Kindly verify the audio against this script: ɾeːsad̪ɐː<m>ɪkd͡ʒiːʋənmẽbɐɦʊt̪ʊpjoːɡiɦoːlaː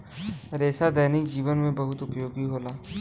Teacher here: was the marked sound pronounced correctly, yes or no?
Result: no